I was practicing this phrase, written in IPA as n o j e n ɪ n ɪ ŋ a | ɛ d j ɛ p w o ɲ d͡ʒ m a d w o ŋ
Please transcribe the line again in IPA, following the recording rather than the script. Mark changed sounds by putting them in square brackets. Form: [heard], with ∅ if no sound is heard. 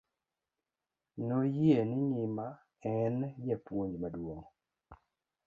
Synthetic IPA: n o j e n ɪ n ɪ [m] a | ɛ [n] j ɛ p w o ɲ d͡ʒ m a d w o ŋ